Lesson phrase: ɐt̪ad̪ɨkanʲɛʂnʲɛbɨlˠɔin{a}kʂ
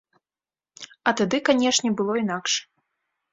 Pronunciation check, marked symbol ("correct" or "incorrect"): correct